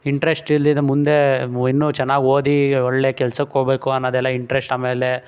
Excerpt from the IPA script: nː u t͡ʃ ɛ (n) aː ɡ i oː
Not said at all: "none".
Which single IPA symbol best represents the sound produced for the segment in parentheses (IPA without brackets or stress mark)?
nː